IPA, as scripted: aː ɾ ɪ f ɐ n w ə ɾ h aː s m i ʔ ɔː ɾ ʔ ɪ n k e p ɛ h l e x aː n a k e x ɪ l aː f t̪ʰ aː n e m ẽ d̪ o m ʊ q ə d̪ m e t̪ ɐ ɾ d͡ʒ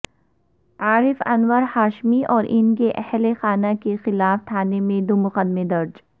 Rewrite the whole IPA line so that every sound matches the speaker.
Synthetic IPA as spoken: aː ɾ ɪ f ɐ n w ə ɾ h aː ʃ m i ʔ ɔː ɾ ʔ ɪ n k e ʔ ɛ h l e x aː n a k e x ɪ l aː f t̪ʰ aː n e m ẽ d̪ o m ʊ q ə d̪ m e d̪ ɐ ɾ d͡ʒ